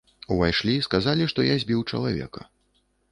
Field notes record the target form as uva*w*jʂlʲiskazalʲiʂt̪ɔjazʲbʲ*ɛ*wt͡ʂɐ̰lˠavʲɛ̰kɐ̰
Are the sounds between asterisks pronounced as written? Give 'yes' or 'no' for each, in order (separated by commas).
no, no